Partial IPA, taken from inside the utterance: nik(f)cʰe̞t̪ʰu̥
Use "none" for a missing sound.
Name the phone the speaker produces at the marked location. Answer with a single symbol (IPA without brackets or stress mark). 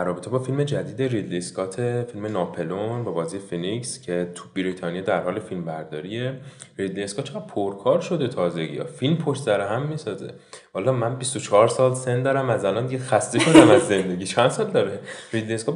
s